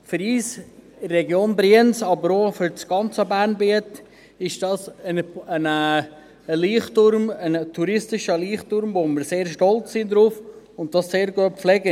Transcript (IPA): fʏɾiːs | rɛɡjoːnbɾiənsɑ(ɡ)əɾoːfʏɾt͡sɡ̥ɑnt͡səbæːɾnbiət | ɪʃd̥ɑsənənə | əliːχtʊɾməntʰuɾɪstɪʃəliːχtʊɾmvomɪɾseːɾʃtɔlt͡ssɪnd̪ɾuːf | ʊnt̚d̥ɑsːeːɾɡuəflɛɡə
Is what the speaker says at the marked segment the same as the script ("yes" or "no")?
no